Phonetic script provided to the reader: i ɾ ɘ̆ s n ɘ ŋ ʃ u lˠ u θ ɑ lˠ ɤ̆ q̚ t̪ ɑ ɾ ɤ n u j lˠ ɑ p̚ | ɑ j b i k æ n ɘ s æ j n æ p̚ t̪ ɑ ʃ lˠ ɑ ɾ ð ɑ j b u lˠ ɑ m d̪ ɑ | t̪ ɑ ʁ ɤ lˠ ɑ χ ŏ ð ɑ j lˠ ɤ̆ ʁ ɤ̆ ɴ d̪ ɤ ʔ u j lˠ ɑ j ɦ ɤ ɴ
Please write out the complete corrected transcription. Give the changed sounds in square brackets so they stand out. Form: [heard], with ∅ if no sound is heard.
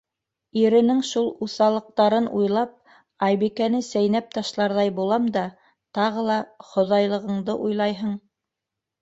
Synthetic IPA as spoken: i ɾ ɘ̆ [∅] n ɘ ŋ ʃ u lˠ u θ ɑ lˠ ɤ̆ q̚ t̪ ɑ ɾ ɤ n u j lˠ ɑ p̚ | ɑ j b i k æ n ɘ s æ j n æ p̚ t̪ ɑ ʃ lˠ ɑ ɾ ð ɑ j b u lˠ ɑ m d̪ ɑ | t̪ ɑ ʁ ɤ lˠ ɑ χ ŏ ð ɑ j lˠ ɤ̆ ʁ ɤ̆ ɴ d̪ ɤ ʔ u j lˠ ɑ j ɦ ɤ ɴ